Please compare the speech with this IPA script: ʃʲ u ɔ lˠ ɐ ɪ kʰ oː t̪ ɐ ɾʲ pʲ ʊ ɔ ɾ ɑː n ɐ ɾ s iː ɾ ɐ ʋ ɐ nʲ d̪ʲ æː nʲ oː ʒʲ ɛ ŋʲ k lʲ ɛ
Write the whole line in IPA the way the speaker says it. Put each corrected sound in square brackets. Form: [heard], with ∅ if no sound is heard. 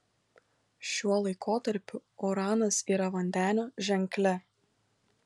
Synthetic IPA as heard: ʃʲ u ɔ lˠ ɐ ɪ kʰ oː t̪ ɐ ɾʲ pʲ ʊ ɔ ɾ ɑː n ɐ [∅] s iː ɾ ɐ ʋ ɐ nʲ d̪ʲ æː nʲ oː ʒʲ ɛ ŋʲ k lʲ ɛ